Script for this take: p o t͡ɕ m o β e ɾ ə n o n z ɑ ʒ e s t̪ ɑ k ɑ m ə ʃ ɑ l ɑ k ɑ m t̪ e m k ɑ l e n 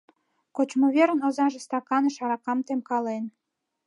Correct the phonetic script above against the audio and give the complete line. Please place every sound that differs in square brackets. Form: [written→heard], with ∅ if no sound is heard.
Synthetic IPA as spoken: [p→k] o t͡ɕ m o β e ɾ ə n o [n→∅] z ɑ ʒ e s t̪ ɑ k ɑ [m→n] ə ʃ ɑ [l→ɾ] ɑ k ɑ m t̪ e m k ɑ l e n